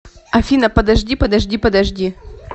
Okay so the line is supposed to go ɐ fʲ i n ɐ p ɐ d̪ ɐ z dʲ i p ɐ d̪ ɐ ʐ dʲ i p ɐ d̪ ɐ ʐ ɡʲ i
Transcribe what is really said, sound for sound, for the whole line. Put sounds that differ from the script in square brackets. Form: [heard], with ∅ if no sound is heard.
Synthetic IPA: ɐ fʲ i n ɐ p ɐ d̪ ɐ [ʐ] dʲ i p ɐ d̪ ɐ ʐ dʲ i p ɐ d̪ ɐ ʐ [dʲ] i

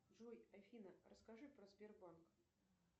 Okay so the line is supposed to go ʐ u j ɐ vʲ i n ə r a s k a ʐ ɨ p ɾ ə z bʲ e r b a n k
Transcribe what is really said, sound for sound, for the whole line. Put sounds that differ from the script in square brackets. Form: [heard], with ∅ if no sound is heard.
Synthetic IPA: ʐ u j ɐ [fʲ] i n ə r [ə] s k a ʐ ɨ p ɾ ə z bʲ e r b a n k

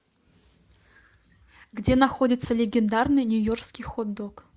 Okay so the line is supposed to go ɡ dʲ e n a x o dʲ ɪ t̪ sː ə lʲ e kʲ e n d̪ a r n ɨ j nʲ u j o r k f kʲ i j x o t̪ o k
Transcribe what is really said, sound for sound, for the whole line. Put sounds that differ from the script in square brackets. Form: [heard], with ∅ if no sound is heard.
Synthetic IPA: ɡ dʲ e n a x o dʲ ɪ t̪ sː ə lʲ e [ɡʲ] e n d̪ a r n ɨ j nʲ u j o r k [s] kʲ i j x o [d̪] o k

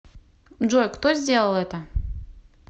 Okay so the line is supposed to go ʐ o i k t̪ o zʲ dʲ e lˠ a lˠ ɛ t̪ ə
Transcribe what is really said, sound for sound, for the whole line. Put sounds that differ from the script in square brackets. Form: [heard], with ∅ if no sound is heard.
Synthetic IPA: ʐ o [j] k t̪ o zʲ dʲ e lˠ [ə] lˠ ɛ t̪ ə

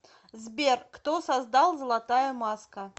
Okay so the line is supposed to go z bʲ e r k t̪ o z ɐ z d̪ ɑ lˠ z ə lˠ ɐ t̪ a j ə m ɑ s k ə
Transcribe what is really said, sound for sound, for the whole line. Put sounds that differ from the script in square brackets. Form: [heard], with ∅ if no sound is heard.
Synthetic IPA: z bʲ e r k t̪ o [s] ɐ z d̪ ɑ lˠ z ə lˠ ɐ t̪ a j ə m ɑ s k ə

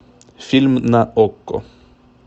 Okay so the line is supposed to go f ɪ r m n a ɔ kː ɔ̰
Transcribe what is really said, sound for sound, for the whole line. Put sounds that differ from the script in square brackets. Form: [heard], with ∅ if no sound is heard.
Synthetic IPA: f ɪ [l] m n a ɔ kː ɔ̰

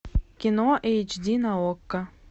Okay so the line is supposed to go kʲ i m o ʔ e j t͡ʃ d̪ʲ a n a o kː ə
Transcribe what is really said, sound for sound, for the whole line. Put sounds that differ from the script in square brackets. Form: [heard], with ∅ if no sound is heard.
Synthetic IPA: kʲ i [n] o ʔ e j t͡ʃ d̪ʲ [i] n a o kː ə

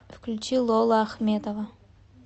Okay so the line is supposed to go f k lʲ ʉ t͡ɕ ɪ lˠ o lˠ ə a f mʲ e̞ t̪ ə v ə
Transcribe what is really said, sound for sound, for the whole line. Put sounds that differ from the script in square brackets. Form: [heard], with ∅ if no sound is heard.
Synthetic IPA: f k lʲ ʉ t͡ɕ [i] lˠ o lˠ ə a [x] mʲ e̞ t̪ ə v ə

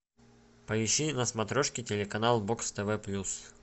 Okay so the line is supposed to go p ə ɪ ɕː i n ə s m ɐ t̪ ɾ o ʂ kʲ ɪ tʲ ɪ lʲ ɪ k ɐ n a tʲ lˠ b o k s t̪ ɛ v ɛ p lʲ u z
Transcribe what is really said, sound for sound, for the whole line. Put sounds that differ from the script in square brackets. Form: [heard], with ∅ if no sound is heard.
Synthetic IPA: p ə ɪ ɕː i n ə s m ɐ t̪ ɾ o ʂ kʲ ɪ tʲ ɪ lʲ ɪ k ɐ n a [∅] lˠ b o k s t̪ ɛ v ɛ p lʲ u [s]

